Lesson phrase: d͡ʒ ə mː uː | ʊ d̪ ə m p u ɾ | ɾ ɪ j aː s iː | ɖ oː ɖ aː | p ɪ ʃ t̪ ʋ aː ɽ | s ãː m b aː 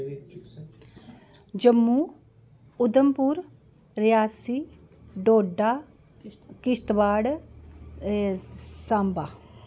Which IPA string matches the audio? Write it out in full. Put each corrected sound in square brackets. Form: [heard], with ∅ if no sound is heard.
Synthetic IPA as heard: d͡ʒ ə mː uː | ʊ d̪ ə m p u ɾ | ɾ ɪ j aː s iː | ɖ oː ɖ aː | [k] ɪ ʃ t̪ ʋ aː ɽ | s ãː m b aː